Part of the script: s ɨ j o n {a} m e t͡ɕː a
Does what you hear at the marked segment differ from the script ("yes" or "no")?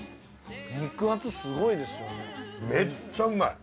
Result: yes